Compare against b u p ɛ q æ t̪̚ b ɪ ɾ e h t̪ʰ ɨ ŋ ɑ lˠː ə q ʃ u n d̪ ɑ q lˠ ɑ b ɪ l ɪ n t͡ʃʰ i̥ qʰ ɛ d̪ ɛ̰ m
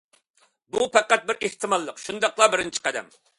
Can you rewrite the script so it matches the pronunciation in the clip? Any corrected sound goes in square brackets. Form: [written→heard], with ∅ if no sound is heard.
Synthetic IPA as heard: b u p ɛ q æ t̪̚ b ɪ ɾ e h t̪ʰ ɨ [ŋ→m] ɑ lˠː ə q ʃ u n d̪ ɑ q lˠ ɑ b ɪ [l→ɾ] ɪ n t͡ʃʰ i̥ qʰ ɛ d̪ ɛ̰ m